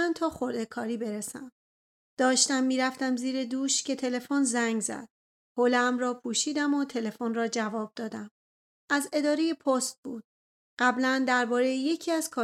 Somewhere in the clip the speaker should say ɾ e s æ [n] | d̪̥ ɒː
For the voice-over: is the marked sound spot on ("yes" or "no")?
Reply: no